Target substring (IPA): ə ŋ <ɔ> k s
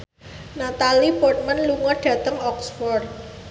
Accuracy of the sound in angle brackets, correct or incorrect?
correct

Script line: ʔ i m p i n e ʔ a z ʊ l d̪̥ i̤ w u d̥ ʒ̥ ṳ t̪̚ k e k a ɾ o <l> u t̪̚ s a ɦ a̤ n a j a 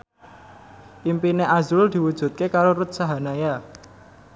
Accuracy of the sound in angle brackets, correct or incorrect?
incorrect: ɾ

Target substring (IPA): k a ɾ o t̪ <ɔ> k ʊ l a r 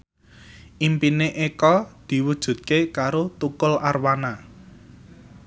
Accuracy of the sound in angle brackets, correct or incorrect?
incorrect: u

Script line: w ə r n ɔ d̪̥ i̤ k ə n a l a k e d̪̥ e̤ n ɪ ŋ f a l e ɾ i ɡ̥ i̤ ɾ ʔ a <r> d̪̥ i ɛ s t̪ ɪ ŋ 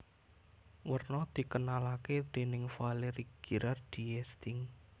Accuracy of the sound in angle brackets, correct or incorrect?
correct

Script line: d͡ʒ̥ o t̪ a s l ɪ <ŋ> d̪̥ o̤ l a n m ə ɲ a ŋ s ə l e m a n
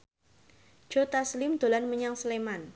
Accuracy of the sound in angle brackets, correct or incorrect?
incorrect: m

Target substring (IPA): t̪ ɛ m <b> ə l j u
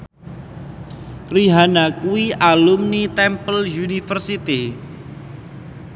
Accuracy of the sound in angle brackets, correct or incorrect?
incorrect: p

